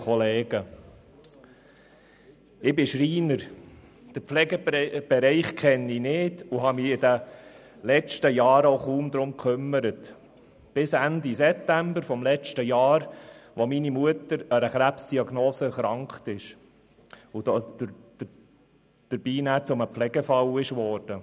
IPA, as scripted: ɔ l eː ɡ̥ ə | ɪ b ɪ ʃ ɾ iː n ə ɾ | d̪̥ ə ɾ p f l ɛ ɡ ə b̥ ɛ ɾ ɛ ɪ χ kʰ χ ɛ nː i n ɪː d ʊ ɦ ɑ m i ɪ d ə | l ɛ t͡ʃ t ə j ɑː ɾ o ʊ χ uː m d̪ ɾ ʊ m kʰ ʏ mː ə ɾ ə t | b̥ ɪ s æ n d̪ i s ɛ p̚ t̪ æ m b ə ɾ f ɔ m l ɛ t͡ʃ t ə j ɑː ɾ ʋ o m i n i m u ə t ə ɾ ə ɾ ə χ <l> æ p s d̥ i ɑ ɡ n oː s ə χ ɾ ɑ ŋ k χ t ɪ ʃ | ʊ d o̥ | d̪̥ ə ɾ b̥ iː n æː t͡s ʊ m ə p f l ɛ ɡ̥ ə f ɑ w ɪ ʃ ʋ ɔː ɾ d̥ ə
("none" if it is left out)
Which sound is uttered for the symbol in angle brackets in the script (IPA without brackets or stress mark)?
ɾ